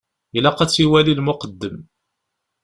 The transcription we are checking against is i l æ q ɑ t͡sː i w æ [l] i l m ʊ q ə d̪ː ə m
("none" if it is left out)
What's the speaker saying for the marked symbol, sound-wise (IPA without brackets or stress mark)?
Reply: l